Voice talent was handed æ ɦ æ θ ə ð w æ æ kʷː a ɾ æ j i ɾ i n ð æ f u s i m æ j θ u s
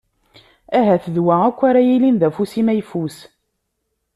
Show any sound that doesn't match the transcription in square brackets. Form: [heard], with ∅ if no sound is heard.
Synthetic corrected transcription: æ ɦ æ θ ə ð w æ æ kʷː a ɾ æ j i [l] i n ð æ f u s i m æ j [f] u s